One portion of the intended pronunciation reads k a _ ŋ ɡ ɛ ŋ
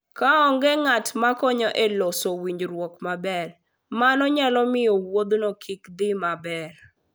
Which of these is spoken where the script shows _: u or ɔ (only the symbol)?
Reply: ɔ